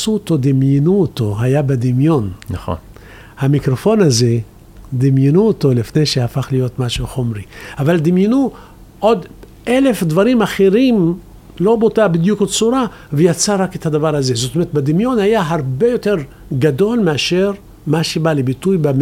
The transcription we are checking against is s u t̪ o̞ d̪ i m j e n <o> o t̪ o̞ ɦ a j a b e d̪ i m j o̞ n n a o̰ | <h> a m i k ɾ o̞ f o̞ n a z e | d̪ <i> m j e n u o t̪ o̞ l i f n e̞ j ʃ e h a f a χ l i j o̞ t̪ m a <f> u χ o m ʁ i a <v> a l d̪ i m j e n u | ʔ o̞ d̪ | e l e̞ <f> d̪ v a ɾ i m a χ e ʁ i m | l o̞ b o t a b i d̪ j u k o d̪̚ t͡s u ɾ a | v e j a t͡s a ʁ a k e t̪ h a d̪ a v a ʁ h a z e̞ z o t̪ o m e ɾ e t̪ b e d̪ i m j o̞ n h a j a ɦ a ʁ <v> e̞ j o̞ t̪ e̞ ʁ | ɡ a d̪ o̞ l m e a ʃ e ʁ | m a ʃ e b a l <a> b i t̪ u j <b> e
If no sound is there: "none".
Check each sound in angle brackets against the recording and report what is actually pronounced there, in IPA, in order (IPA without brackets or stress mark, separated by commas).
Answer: u, h, i, ʃ, v, f, b, e, b